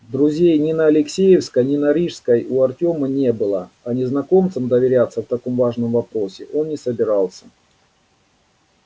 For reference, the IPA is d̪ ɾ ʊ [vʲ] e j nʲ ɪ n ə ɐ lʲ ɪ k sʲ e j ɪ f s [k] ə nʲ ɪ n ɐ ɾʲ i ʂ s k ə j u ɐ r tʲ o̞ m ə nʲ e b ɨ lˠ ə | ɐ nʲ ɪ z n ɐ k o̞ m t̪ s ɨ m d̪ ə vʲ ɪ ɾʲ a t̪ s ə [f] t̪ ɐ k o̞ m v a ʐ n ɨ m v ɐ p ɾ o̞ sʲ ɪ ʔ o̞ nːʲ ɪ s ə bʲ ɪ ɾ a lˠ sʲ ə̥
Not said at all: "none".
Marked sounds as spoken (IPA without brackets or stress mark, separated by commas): zʲ, k, f